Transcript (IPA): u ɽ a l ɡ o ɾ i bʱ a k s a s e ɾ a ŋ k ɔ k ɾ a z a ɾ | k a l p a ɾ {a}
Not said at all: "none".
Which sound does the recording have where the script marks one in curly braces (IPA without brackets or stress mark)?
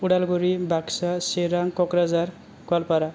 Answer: a